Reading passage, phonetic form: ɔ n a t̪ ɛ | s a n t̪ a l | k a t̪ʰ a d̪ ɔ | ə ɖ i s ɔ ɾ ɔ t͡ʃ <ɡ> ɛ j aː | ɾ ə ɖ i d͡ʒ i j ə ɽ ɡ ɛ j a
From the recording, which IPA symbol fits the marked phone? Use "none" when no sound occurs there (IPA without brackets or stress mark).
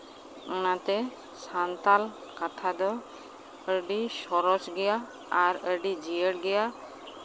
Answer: ɡ